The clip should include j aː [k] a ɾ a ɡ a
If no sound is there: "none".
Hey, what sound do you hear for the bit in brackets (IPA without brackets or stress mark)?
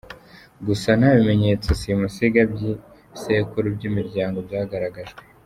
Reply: ɡ